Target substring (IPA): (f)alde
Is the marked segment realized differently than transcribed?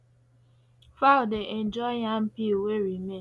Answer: no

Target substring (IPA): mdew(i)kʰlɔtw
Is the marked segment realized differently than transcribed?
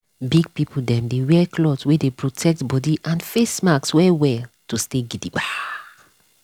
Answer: yes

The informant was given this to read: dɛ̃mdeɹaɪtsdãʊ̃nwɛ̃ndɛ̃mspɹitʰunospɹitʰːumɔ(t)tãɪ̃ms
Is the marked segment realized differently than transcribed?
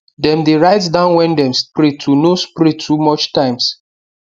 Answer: yes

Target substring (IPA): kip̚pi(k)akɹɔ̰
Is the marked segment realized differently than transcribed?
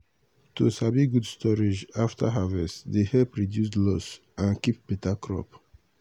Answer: yes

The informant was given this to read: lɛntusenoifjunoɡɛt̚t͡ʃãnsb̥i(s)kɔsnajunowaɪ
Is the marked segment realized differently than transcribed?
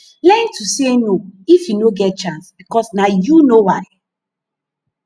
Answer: yes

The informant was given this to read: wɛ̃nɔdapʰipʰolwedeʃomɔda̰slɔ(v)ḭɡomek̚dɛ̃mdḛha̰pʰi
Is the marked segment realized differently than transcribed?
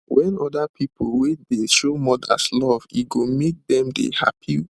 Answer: no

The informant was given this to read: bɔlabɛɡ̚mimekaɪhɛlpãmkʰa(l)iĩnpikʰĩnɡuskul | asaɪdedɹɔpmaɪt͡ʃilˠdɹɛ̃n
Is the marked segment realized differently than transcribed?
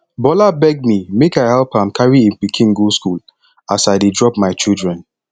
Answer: yes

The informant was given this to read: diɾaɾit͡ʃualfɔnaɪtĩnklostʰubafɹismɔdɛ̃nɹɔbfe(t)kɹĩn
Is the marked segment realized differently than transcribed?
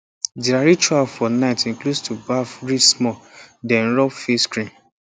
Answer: yes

